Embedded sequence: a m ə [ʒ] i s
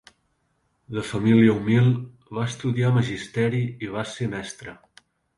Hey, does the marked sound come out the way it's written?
yes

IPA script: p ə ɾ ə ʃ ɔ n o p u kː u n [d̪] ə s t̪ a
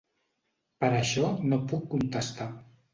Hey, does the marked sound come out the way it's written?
no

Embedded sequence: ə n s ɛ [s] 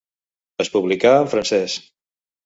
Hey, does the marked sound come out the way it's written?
yes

